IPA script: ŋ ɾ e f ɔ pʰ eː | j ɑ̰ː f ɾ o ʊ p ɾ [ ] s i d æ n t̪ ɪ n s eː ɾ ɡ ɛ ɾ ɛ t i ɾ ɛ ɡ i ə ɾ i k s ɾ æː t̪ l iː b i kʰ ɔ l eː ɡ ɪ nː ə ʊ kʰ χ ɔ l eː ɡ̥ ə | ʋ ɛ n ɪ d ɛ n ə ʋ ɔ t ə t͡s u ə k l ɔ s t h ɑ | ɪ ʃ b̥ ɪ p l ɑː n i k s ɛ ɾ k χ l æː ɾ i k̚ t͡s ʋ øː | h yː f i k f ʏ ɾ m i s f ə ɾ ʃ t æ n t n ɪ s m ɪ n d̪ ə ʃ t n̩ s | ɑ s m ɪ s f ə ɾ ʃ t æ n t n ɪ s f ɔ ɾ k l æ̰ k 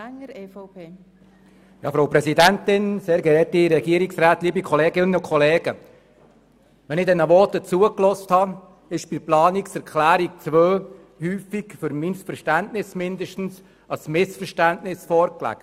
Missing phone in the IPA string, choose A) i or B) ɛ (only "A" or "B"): B